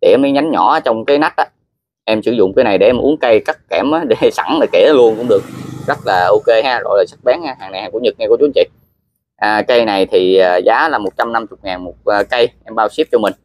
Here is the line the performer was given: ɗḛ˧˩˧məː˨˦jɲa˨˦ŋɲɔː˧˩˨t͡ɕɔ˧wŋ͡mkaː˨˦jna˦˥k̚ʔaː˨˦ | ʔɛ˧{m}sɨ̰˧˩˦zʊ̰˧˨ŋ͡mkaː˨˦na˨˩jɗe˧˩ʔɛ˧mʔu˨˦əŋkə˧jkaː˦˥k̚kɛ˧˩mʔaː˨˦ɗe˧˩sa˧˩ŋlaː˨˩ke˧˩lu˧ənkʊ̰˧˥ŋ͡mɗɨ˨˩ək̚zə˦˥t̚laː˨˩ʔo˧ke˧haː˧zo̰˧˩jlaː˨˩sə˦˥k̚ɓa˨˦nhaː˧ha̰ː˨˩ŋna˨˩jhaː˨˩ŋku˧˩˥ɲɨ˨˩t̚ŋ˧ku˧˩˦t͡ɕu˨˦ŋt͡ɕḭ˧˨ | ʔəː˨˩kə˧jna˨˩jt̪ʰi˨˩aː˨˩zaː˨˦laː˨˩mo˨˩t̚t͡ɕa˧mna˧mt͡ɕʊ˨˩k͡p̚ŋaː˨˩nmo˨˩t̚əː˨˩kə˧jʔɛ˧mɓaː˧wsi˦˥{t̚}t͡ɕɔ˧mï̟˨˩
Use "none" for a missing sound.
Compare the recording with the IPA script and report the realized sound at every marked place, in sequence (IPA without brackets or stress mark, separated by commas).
m, p̚